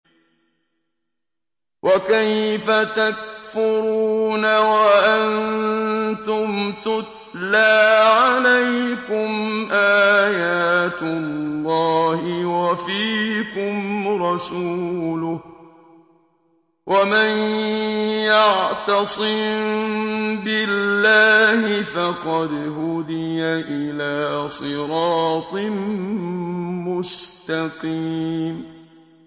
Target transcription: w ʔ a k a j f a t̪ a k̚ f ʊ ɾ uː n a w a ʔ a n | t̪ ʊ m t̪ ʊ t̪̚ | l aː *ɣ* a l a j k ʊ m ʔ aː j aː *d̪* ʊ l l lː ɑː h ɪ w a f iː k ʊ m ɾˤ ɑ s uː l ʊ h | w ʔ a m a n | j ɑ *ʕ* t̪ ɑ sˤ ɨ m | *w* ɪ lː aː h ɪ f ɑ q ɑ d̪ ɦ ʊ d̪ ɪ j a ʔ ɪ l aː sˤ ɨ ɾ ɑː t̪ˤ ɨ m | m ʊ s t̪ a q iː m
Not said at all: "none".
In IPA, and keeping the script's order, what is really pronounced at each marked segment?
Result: ʕ, t̪, ʕ, b

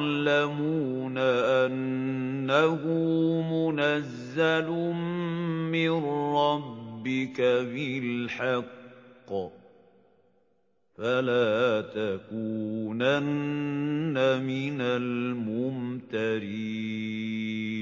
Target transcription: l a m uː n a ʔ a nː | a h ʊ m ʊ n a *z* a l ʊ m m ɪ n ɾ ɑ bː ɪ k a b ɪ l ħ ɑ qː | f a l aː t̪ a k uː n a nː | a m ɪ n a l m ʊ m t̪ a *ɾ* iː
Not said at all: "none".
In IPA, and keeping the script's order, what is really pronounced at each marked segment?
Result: zː, ɾ

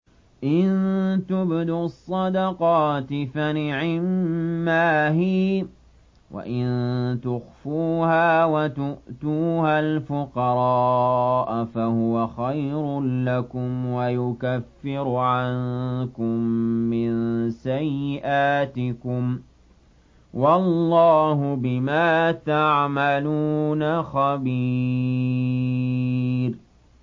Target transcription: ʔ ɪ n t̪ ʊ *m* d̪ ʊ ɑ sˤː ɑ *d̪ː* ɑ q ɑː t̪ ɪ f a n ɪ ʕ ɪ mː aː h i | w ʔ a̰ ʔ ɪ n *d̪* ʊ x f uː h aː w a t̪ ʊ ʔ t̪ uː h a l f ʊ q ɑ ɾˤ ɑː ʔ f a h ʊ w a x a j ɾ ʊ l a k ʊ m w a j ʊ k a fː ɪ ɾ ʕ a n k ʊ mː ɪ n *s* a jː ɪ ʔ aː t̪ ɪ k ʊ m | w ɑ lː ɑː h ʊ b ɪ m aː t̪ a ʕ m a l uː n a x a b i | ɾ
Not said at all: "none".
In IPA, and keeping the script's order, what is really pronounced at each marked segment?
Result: b, d̪, t̪, s

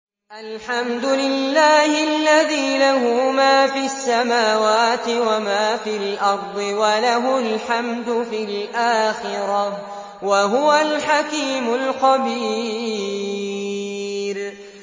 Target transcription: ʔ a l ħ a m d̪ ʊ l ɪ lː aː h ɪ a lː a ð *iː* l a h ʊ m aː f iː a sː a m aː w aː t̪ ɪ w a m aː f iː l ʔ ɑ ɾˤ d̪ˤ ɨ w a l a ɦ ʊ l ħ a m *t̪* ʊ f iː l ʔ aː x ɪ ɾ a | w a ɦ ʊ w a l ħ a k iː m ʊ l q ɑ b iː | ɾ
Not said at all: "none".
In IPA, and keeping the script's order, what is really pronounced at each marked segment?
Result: iː, d̪

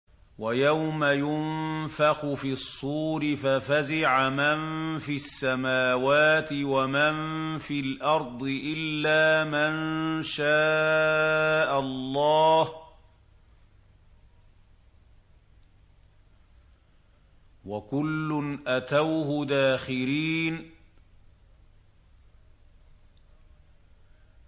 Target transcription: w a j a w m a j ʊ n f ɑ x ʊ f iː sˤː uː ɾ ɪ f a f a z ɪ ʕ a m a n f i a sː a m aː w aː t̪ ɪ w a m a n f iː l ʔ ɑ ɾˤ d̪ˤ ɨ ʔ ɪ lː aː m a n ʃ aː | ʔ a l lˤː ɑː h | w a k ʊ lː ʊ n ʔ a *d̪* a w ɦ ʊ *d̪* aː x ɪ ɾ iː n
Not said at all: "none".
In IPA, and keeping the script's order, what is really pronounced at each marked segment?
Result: t̪, d̪

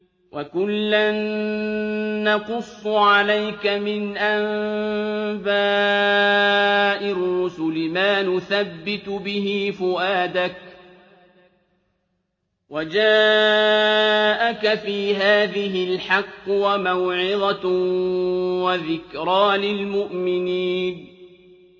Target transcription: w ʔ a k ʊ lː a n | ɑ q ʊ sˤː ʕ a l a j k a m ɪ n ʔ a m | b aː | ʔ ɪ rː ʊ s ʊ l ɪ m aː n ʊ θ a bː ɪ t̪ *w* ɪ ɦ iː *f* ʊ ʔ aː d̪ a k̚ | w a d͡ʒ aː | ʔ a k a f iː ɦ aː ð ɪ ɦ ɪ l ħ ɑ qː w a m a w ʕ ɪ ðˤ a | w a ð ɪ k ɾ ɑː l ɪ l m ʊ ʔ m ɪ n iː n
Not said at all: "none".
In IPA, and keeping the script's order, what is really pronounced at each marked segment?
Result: b, f

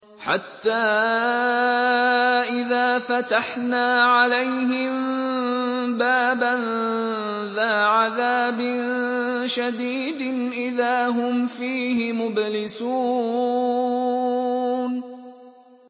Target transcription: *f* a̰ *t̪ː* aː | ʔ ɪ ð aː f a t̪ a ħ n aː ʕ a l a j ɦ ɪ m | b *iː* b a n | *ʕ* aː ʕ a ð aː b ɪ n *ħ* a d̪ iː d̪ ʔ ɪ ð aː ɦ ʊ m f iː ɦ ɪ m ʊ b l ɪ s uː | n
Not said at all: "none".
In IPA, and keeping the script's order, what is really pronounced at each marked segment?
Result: ħ, t̪ː, aː, ð, ʃ

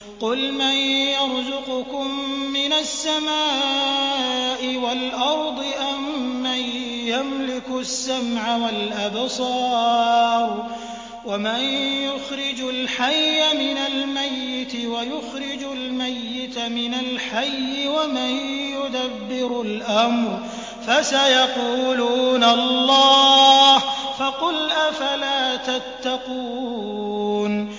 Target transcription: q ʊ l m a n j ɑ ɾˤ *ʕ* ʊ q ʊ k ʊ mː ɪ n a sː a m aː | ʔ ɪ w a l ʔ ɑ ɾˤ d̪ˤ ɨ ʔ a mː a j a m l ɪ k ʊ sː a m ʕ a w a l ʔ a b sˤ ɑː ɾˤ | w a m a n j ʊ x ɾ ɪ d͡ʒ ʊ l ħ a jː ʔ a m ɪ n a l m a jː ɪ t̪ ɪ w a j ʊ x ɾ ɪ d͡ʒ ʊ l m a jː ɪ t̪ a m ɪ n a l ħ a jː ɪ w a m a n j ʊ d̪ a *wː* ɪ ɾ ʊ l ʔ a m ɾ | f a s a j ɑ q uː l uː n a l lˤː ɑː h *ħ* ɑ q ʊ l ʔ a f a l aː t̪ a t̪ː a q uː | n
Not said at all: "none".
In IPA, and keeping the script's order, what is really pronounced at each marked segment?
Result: z, bː, f

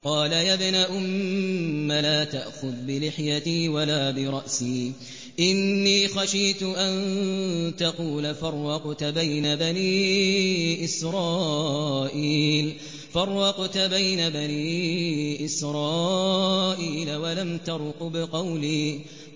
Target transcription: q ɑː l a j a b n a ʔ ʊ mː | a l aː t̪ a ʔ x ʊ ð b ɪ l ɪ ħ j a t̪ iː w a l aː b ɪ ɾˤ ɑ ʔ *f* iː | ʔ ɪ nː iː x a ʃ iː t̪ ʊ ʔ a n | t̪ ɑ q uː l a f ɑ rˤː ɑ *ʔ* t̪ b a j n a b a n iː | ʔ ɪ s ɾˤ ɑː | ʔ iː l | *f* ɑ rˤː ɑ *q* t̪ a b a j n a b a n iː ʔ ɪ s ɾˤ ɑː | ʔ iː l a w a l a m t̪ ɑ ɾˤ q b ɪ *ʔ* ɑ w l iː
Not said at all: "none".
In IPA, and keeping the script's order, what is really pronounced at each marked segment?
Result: s, q, f, q, q

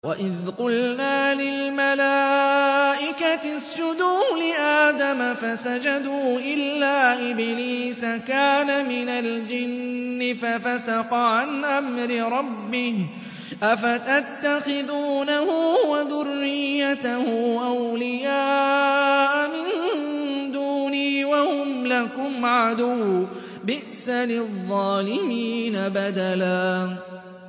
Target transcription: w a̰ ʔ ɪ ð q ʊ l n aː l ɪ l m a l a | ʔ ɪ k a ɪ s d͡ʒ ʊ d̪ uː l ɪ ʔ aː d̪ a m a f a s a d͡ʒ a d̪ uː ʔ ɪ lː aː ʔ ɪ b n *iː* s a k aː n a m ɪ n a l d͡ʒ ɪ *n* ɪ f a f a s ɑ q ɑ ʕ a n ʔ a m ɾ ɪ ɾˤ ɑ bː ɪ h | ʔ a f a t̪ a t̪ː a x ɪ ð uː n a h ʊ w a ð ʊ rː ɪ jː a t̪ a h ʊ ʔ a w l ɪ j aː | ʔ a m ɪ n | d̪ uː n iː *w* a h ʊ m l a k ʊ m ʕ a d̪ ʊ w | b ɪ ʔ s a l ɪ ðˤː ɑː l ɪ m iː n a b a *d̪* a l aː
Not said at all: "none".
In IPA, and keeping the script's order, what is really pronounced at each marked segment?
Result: iː, nː, w, d̪

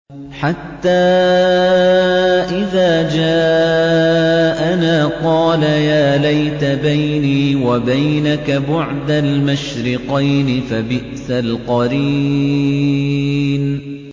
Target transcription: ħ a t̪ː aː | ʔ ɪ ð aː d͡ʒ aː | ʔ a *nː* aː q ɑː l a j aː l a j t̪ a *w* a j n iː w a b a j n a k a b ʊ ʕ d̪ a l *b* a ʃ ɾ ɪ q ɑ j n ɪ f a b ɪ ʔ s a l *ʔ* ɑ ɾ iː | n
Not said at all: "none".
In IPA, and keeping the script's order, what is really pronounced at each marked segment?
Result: n, b, m, q

